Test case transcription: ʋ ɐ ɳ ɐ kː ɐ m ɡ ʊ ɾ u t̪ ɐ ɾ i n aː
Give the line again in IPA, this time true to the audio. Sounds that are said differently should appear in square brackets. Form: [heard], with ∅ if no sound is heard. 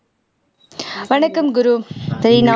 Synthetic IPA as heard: ʋ ɐ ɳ ɐ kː ɐ m ɡ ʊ ɾ u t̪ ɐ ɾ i n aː